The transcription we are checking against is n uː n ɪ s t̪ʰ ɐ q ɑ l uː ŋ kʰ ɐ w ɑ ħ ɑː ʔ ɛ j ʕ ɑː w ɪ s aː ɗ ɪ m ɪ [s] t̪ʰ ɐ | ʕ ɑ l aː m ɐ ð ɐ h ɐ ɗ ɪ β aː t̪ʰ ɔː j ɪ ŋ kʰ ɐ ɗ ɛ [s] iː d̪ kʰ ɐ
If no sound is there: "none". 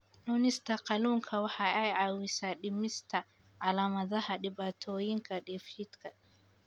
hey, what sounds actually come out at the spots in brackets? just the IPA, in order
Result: s, f

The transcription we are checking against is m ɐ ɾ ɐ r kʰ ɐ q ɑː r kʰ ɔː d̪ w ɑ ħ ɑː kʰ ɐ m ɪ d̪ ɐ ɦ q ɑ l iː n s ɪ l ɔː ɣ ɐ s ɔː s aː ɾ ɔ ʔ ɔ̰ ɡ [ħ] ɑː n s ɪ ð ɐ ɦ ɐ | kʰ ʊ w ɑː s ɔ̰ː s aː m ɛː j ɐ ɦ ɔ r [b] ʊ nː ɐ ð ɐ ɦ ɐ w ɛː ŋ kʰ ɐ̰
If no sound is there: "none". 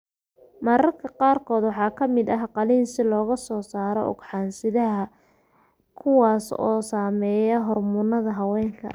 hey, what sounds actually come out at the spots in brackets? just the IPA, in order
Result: ħ, m

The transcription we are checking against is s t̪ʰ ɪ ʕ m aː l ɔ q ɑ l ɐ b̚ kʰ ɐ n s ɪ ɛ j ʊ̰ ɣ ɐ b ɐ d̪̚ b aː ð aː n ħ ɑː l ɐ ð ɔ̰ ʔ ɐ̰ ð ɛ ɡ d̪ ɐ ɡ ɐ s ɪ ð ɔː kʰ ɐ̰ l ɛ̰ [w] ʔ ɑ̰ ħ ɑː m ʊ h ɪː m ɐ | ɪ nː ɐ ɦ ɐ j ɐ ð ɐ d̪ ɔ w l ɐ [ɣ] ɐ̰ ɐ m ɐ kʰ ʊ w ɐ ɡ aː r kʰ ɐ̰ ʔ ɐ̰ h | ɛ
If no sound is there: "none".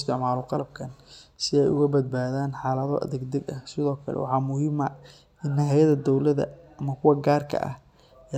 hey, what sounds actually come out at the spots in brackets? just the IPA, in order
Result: w, ð

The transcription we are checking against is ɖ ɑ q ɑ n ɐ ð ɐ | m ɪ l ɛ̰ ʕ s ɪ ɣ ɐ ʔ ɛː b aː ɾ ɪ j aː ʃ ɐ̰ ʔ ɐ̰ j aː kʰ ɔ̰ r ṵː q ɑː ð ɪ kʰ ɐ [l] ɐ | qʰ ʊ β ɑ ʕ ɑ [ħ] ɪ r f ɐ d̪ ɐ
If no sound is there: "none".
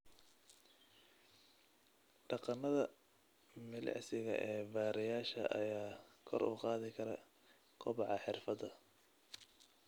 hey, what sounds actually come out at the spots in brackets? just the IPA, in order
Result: ɾ, ħ

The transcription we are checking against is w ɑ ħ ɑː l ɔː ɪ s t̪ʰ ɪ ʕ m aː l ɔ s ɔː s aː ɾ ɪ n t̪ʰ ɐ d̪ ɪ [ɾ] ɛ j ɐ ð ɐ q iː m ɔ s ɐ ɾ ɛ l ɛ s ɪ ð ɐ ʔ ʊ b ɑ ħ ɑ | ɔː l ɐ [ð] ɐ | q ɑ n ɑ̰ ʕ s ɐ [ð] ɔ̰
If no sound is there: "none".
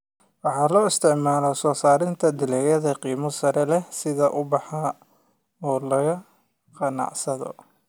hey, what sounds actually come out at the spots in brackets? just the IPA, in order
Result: l, ɣ, ð

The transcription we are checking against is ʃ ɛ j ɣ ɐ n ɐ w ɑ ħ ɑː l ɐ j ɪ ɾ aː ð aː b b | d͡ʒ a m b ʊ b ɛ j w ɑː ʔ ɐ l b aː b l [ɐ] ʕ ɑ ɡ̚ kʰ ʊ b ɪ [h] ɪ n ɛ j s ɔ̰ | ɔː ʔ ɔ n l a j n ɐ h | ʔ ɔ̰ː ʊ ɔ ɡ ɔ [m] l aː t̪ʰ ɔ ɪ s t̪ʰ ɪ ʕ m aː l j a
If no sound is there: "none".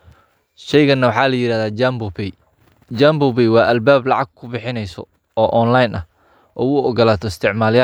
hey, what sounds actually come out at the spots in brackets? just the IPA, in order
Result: ɑ, ħ, none

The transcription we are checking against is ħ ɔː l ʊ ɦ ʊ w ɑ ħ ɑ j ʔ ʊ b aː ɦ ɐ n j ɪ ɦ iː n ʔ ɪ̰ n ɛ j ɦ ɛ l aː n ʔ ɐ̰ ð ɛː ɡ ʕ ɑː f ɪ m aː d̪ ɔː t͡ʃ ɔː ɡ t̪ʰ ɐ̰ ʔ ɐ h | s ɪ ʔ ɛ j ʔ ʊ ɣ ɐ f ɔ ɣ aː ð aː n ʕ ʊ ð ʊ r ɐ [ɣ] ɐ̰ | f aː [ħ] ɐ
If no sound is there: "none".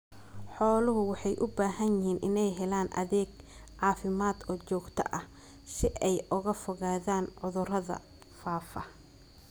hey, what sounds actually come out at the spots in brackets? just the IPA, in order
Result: ð, f

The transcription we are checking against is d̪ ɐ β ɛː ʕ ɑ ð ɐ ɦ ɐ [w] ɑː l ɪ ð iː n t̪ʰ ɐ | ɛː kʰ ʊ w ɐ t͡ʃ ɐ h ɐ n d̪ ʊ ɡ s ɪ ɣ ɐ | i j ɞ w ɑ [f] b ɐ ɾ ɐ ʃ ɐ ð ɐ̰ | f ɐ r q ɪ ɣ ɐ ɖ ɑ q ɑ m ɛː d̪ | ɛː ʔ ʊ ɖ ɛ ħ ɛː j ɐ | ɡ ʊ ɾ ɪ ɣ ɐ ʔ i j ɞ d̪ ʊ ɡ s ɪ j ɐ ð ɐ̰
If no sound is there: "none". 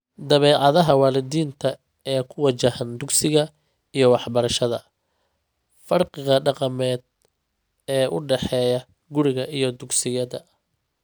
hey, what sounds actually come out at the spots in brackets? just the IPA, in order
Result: w, ħ

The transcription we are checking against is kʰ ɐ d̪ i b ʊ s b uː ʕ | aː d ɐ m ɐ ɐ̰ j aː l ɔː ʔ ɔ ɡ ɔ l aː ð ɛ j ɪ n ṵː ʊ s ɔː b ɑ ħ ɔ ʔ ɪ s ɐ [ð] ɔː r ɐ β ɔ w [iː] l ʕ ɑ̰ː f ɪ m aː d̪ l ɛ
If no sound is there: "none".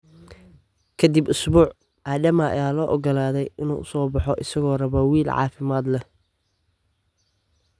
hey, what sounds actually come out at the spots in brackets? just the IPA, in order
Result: ɣ, iː

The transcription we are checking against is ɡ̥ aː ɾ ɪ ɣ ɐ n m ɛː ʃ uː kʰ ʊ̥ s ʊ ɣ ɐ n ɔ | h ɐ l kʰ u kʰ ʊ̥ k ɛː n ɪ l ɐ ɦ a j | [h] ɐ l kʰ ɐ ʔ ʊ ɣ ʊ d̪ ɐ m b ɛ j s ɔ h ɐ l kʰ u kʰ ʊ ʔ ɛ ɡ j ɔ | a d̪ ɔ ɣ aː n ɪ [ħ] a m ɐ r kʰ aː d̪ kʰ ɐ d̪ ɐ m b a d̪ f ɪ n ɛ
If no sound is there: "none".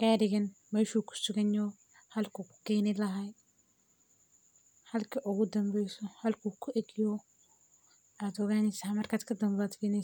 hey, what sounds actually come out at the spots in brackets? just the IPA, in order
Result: h, s

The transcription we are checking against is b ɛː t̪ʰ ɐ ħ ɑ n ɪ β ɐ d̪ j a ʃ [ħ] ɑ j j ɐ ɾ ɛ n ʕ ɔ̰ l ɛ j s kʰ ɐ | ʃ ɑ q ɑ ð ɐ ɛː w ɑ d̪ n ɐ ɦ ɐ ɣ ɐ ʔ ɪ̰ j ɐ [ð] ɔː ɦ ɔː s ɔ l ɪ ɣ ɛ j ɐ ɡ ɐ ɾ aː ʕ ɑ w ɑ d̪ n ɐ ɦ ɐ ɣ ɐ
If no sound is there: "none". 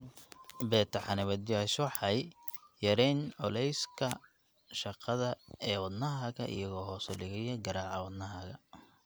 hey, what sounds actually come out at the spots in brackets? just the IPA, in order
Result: ħ, ɣ

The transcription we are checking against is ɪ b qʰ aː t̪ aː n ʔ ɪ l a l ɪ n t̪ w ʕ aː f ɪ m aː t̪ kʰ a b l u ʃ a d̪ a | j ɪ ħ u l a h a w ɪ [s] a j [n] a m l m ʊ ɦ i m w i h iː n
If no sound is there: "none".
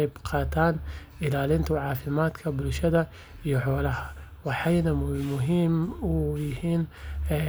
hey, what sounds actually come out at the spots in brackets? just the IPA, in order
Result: ħ, n

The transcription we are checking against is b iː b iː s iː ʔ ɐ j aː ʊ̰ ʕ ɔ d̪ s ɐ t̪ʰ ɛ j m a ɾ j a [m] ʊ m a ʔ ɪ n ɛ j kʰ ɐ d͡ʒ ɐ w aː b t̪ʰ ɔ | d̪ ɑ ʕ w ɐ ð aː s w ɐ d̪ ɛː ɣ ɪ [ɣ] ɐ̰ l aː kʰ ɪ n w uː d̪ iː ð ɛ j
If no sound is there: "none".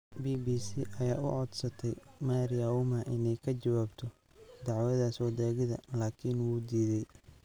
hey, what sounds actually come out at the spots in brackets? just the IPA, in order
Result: none, ð

